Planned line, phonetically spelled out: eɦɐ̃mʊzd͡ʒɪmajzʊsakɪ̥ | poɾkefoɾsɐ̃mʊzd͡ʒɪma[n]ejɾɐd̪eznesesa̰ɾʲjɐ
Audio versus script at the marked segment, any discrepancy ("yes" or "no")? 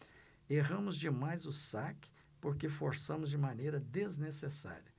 no